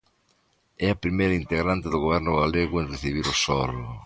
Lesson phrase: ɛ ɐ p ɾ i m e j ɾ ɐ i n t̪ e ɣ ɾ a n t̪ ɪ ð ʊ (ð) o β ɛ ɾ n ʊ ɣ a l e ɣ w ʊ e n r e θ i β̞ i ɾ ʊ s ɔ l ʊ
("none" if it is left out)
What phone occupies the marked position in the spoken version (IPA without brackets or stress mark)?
ɣ